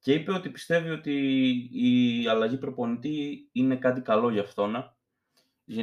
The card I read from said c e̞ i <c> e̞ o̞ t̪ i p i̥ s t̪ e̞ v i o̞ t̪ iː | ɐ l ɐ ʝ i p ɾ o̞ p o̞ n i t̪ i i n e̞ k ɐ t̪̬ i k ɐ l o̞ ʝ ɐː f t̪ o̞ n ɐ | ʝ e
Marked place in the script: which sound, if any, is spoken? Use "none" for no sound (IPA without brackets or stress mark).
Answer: p